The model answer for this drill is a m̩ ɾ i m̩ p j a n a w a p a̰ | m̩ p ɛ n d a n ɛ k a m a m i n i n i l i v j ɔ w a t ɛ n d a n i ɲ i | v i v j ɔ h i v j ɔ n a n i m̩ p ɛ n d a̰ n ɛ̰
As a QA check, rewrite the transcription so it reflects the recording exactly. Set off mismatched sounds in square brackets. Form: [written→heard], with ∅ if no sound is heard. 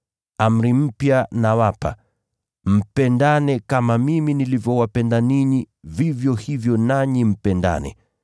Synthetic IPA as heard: a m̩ ɾ i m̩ p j a n a w a p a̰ | m̩ p ɛ n d a n ɛ k a m a m i [n→m] i n i l i v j ɔ w a [t→p] ɛ n d a n i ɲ i | v i v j ɔ h i v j ɔ n a [n→ɲ] i m̩ p ɛ n d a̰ n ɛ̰